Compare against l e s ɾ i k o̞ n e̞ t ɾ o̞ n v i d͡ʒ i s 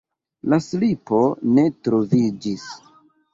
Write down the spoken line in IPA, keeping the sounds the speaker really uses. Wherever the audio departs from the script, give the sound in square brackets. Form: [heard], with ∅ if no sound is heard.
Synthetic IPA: l [a] s [l] i [p] o̞ n e̞ t ɾ o̞ [∅] v i d͡ʒ i s